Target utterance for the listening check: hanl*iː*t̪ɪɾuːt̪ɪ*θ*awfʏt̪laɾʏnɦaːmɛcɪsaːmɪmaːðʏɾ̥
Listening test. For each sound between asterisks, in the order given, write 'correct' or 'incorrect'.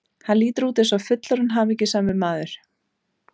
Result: correct, incorrect

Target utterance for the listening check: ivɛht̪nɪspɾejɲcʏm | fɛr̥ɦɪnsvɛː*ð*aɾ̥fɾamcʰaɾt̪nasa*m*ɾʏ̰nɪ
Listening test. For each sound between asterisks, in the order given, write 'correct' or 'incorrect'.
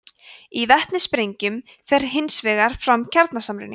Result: incorrect, correct

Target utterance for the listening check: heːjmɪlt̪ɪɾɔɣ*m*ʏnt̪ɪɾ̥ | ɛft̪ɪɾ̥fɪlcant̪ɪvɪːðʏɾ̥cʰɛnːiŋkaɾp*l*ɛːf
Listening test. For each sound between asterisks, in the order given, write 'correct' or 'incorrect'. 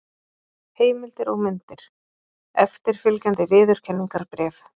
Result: correct, incorrect

